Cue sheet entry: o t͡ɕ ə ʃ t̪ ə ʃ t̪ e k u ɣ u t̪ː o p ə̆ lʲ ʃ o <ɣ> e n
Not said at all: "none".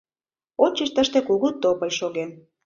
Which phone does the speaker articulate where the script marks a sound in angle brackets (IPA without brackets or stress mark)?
ɣ